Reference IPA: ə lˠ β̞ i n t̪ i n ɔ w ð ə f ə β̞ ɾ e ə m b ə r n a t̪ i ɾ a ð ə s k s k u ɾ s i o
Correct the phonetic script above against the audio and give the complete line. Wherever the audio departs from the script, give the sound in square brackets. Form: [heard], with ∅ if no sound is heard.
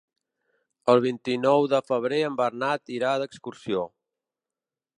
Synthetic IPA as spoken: ə lˠ β̞ i n t̪ i n ɔ w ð ə f ə β̞ ɾ e ə m b ə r n a t̪ i ɾ a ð ə [∅] k s k u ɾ s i o